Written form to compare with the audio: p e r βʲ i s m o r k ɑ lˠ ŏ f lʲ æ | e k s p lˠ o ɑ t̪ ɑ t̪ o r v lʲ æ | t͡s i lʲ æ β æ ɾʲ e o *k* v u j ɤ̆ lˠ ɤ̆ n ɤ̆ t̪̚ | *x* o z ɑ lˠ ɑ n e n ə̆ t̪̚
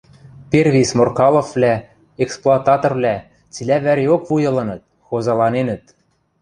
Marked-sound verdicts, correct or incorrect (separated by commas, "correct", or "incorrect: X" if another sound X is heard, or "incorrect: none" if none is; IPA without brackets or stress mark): correct, correct